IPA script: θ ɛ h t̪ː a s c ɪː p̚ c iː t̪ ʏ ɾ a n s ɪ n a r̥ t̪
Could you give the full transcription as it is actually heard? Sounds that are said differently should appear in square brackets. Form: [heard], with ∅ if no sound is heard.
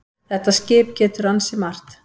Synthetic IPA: θ ɛ h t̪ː a s c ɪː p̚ c [ɛː] t̪ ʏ ɾ a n s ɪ [m] a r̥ t̪